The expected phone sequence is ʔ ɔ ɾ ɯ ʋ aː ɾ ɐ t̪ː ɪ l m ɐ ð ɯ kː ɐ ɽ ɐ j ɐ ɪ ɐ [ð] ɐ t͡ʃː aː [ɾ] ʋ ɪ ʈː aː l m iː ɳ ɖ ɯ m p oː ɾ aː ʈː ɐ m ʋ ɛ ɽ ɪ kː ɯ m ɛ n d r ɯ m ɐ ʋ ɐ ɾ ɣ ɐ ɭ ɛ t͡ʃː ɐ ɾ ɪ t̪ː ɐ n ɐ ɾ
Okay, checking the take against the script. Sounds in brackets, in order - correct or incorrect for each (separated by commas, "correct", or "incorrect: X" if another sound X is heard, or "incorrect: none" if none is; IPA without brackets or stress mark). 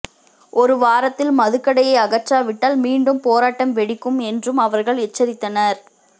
incorrect: ɣ, incorrect: none